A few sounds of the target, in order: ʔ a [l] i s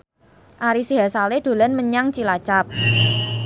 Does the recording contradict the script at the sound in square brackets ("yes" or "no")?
yes